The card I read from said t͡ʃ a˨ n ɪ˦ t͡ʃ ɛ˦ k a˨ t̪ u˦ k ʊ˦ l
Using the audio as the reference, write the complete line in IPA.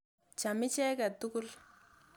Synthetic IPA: t͡ʃ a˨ m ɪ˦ t͡ʃ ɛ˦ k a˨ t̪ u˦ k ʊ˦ l